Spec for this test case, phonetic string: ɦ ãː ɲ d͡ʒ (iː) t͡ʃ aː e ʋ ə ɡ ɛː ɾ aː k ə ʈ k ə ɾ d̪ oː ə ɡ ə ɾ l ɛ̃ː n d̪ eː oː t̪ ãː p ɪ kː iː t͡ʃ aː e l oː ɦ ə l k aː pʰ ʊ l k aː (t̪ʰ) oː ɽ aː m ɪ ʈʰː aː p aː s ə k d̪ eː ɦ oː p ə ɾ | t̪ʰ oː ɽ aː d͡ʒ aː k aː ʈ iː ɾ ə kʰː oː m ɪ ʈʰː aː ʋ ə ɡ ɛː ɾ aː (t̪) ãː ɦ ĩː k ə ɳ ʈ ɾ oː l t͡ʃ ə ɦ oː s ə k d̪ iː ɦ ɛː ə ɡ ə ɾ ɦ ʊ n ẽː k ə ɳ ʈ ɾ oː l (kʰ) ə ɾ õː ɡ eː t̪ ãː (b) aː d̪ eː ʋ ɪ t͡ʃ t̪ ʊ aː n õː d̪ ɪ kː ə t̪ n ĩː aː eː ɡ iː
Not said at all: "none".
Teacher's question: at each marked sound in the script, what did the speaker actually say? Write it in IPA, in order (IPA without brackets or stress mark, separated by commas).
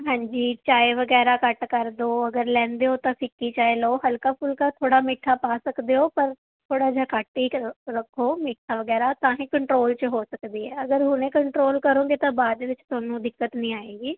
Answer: iː, t̪ʰ, t̪, k, b